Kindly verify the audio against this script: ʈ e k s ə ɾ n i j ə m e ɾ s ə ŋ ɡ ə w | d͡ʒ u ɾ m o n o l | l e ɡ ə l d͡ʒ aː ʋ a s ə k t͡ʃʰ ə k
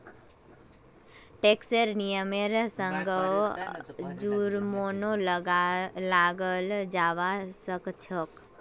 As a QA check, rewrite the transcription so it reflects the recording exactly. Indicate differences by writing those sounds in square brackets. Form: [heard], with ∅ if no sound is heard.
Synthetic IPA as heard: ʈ e k s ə ɾ n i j ə m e ɾ s ə ŋ ɡ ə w | d͡ʒ u ɾ m o n o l | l [a] ɡ ə l d͡ʒ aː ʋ a s ə k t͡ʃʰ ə k